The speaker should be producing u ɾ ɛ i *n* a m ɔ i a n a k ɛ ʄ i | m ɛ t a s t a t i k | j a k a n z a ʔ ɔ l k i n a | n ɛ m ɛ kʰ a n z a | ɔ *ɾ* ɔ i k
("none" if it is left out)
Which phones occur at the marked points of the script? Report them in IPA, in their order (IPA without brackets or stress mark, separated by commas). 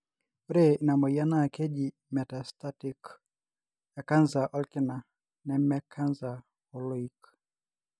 n, l